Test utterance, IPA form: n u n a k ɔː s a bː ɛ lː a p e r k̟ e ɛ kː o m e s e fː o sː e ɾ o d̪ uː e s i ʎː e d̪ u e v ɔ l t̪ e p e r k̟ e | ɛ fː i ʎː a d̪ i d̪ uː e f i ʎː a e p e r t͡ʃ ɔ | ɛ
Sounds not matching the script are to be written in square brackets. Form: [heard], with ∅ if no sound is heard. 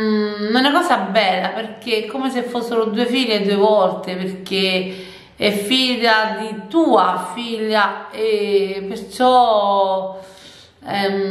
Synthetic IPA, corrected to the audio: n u n a k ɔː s a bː ɛ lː a p e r k̟ e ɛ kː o m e s e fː o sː e ɾ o d̪ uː e [f] i ʎː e d̪ u e v ɔ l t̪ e p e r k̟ e | ɛ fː i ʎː a d̪ i [t̪] uː [a] f i ʎː a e p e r t͡ʃ ɔ | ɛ